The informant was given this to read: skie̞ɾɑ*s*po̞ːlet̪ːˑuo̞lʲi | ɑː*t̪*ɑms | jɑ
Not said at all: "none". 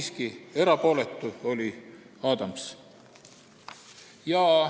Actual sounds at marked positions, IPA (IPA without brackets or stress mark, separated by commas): none, d̪